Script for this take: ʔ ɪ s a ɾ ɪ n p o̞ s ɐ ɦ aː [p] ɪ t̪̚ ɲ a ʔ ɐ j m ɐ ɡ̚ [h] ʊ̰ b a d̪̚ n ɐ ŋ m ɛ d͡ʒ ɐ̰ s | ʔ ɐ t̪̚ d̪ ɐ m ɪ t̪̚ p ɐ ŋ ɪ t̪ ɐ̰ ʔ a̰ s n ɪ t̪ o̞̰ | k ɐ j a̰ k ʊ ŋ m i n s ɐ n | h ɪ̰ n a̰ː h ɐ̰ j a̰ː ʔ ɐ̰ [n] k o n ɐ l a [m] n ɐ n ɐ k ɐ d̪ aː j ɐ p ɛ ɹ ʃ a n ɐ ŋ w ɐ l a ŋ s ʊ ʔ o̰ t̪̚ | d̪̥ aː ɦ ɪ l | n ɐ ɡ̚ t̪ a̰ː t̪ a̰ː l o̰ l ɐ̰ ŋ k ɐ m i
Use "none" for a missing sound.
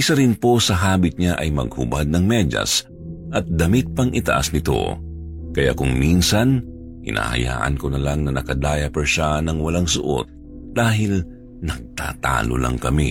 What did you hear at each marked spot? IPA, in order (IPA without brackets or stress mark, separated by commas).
b, h, n, ŋ